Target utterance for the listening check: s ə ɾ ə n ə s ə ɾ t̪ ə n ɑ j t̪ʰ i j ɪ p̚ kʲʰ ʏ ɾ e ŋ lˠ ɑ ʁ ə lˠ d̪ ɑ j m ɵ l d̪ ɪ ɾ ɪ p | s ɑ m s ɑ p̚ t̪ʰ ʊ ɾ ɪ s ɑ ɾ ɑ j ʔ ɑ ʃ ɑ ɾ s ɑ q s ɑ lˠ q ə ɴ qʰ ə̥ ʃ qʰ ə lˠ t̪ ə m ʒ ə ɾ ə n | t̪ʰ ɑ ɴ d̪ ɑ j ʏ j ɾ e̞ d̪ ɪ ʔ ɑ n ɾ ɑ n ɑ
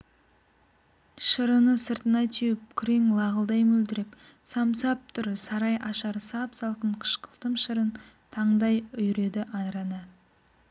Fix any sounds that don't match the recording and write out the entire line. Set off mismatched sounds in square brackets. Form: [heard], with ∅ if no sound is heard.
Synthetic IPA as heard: [ʃ] ə ɾ ə n ə s ə ɾ t̪ ə n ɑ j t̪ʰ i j ɪ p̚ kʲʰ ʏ ɾ e ŋ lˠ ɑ ʁ ə lˠ d̪ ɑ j m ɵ l d̪ ɪ ɾ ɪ p | s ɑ m s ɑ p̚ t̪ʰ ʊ ɾ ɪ s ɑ ɾ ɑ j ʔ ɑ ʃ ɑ ɾ s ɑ [p] s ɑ lˠ q ə ɴ qʰ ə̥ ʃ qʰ ə lˠ t̪ ə m [ʃ] ə ɾ ə n | t̪ʰ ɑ ɴ d̪ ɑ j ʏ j ɾ e̞ d̪ ɪ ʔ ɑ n ɾ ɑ n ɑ